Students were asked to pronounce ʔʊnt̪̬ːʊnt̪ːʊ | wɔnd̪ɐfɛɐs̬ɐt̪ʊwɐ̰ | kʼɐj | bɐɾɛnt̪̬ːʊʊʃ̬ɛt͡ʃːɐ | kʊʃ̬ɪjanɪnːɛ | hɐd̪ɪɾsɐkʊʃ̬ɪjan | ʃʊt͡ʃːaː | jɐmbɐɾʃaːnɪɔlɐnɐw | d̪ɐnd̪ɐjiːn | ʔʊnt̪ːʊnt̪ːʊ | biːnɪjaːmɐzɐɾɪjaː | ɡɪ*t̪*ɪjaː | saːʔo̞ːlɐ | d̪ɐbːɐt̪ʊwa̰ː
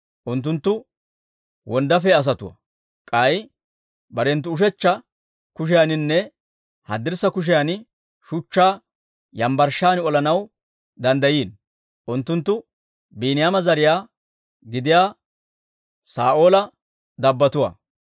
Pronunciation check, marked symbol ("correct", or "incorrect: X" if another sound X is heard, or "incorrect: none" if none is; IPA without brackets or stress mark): incorrect: d̪